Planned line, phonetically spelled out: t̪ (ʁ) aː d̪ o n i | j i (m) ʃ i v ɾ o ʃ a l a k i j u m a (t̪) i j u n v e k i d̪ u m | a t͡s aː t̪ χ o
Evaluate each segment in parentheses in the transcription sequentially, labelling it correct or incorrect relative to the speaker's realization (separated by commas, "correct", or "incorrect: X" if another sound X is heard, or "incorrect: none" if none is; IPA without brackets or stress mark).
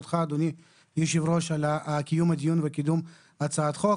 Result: incorrect: χ, incorrect: none, incorrect: d̪